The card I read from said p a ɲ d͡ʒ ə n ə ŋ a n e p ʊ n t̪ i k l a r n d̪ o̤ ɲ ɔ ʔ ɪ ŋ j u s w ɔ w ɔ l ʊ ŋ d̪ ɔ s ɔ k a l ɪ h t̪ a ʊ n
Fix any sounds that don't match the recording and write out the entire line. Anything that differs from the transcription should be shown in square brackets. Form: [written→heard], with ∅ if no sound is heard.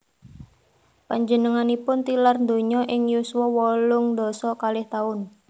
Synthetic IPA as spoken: p a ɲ d͡ʒ ə n ə ŋ a n [e→i] p ʊ n t̪ i [k→∅] l a r n d̪ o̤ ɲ ɔ ʔ ɪ ŋ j u s w ɔ w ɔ l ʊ ŋ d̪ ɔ s ɔ k a l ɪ h t̪ a ʊ n